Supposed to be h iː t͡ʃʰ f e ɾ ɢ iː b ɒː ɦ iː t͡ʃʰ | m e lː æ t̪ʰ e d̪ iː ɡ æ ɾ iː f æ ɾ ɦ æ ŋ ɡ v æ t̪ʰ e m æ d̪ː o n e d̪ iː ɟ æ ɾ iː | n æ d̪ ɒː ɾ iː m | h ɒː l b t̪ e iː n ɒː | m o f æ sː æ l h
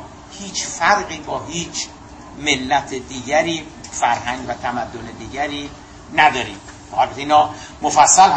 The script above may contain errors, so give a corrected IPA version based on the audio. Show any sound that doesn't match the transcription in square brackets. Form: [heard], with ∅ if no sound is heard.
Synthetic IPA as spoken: h iː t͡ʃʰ f [æ] ɾ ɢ iː b ɒː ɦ iː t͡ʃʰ | m e lː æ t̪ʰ e d̪ iː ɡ æ ɾ iː f æ ɾ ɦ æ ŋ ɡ v æ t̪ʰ [æ] m æ d̪ː o n e d̪ iː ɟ æ ɾ iː | n æ d̪ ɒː ɾ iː m | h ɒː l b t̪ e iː n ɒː | m o f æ sː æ l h